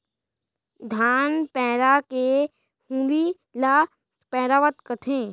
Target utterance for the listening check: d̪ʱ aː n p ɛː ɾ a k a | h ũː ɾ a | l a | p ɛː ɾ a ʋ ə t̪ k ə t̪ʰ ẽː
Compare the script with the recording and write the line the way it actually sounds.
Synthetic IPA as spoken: d̪ʱ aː n p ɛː ɾ a k e | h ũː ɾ i | l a | p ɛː ɾ a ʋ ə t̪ k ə t̪ʰ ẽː